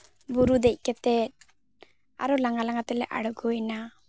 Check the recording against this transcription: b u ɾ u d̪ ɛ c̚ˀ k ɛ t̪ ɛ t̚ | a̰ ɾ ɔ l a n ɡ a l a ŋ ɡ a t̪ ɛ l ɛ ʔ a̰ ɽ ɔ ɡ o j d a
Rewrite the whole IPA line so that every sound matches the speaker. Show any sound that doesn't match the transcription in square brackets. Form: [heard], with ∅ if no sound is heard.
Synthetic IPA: b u ɾ u d̪ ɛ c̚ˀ k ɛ t̪ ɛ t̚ | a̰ ɾ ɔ l a [ŋ] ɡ a l a ŋ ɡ a t̪ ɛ l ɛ ʔ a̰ ɽ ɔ ɡ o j [n] a